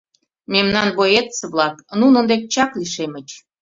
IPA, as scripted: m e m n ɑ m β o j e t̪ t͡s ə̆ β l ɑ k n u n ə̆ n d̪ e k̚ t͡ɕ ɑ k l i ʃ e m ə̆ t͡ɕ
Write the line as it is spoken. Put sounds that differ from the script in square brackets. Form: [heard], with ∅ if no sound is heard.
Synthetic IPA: m e m n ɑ [n] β o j e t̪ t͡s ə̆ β l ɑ k n u n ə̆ n d̪ e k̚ t͡ɕ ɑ k l i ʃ e m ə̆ t͡ɕ